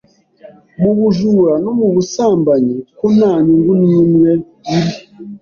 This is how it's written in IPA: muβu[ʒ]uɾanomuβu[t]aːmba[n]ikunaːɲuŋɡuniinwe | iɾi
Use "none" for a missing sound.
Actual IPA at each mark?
ʒ, s, ɲ

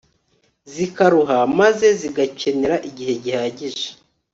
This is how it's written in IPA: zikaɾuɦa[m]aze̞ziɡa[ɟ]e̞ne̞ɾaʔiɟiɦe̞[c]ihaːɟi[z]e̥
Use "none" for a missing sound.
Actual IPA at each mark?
m, c, ɟ, ʒ

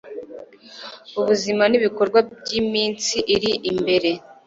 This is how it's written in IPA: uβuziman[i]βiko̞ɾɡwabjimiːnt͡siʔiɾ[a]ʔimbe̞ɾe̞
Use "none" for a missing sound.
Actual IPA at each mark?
i, i

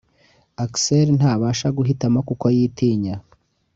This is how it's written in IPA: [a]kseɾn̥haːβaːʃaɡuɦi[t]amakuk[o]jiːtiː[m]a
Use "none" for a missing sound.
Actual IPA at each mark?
a, t, o, ɲ

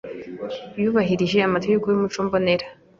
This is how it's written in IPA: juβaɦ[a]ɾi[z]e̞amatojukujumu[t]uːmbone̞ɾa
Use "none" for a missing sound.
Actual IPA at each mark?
i, ʒ, t͡ʃ

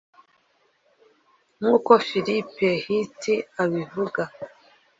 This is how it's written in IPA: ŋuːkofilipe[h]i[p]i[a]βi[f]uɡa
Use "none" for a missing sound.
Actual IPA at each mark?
h, t, a, v

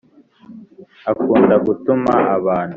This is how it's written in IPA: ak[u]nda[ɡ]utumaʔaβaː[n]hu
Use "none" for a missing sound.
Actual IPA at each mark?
uː, ɡ, n

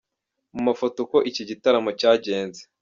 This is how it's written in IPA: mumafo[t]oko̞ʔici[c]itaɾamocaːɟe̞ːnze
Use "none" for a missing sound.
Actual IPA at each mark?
t, ɟ

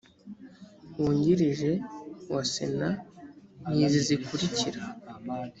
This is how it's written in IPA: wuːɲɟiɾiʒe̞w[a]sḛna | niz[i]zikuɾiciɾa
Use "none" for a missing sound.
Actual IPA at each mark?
a, i

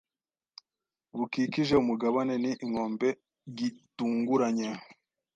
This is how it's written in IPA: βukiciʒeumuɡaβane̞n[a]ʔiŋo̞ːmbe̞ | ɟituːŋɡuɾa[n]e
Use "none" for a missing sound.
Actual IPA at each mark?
i, ɲ

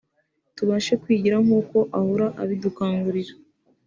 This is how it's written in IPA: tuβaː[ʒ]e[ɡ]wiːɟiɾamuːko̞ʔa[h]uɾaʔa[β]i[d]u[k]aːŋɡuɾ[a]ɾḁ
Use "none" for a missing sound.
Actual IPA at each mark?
ʃ, k, h, β, d, k, i

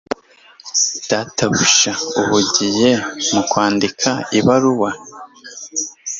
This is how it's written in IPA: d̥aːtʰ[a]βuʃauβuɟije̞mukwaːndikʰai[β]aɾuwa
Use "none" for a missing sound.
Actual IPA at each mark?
a, β

